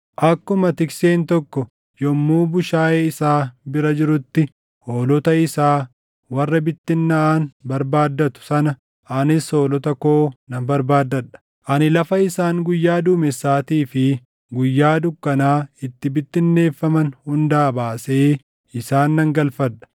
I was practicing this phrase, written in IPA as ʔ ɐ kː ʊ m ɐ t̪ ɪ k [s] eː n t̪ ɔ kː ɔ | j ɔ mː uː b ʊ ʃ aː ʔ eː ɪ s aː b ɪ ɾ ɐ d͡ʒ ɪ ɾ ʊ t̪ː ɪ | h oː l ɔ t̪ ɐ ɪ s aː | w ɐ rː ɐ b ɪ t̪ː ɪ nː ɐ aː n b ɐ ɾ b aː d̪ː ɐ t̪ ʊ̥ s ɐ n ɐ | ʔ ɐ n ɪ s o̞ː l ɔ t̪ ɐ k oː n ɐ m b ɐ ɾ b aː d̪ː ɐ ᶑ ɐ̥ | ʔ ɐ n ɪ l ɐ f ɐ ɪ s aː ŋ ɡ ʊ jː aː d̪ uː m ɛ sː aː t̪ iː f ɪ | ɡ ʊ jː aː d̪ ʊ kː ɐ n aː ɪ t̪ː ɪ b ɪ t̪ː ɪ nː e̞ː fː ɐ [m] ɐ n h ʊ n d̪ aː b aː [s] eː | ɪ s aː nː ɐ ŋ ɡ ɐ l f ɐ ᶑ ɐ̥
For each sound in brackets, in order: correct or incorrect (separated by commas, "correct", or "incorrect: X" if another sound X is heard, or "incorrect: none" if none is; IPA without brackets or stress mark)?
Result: correct, correct, correct